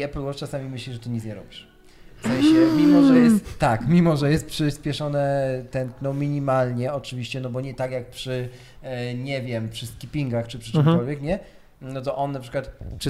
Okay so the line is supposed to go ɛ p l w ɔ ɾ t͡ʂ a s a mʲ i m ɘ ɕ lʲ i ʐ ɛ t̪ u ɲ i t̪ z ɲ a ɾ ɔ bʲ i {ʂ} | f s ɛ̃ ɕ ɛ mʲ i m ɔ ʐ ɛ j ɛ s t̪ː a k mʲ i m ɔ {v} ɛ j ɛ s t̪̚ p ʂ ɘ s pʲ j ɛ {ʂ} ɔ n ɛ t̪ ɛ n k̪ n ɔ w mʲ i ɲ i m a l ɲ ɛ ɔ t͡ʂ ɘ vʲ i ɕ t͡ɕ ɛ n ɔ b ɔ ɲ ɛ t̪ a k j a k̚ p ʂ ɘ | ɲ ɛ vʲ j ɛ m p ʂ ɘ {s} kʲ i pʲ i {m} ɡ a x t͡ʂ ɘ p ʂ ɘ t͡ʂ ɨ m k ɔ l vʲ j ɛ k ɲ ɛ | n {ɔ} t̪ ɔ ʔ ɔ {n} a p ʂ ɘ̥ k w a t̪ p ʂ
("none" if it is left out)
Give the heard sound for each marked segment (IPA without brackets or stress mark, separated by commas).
ʂ, ʐ, ʂ, s, ŋ, ɔ, nː